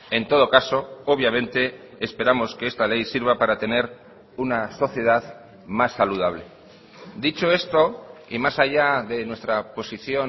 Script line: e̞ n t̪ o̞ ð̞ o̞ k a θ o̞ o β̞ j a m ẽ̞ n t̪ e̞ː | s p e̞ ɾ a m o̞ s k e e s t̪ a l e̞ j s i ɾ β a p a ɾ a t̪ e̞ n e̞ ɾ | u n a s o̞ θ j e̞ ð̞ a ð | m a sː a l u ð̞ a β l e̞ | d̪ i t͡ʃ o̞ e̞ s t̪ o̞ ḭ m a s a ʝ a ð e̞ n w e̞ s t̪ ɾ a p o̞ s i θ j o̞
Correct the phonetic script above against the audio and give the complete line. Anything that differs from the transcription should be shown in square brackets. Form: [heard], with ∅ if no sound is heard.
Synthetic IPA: e̞ n t̪ o̞ ð̞ o̞ k a [s] o̞ o β̞ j a m ẽ̞ n t̪ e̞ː | s p e̞ ɾ a m o̞ s k e e s t̪ a l e̞ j s i ɾ β a p a ɾ a t̪ e̞ n e̞ ɾ | u n a s o̞ θ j e̞ ð̞ a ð | m a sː a l u ð̞ a β l e̞ | d̪ i t͡ʃ o̞ e̞ s t̪ o̞ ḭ m a s a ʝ a ð e̞ n w e̞ s t̪ ɾ a p o̞ s i θ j o̞